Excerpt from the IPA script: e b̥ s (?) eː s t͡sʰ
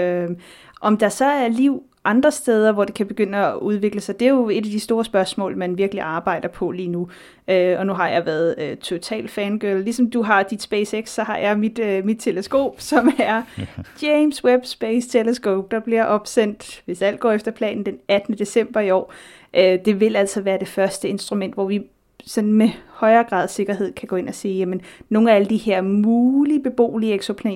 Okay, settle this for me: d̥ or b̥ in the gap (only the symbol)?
b̥